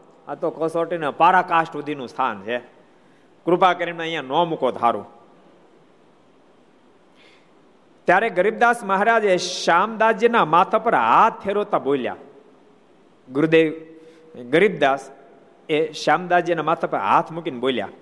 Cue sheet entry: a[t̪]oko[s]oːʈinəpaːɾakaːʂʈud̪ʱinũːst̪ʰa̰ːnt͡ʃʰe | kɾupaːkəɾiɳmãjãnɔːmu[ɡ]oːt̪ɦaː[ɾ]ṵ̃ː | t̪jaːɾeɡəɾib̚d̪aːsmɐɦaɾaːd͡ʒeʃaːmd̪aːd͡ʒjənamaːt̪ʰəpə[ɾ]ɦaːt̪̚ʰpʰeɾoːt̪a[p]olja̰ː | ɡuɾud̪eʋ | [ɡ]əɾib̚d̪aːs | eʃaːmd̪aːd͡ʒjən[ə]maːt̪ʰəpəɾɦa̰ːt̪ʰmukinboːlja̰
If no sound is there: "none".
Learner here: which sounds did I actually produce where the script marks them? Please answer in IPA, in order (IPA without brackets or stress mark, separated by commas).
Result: t̪, s, k, ɾ, ɾ, b, ɡ, a